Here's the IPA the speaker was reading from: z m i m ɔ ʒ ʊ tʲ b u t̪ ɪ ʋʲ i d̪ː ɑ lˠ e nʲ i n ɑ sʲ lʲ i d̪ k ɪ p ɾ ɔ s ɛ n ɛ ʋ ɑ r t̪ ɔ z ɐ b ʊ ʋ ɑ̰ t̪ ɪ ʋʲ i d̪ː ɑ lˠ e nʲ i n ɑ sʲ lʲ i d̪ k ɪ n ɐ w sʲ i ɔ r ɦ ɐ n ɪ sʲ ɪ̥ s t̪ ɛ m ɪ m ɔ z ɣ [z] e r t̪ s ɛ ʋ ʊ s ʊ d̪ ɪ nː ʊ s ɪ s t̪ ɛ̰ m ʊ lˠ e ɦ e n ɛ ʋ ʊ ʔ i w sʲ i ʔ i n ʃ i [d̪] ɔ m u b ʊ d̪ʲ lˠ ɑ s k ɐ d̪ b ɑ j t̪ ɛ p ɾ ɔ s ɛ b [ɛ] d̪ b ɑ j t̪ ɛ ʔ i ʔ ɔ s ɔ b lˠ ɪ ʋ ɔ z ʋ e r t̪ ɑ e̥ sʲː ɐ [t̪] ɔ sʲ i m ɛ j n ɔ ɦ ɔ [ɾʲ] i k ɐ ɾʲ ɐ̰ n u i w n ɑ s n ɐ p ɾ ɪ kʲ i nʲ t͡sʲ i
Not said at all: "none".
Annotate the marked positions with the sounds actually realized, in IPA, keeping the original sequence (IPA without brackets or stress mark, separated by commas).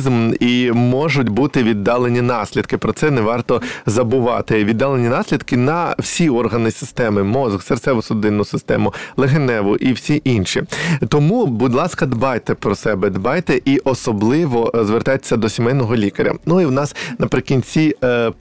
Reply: s, t̪, ɛ, d̪, lʲ